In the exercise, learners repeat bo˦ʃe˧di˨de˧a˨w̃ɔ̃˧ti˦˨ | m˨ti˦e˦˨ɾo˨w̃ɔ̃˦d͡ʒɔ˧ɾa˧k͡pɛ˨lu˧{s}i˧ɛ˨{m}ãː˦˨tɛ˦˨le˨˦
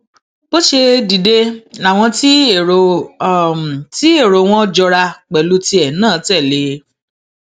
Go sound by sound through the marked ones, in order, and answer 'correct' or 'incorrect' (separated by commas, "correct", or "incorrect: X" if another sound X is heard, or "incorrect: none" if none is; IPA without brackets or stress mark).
incorrect: t, incorrect: n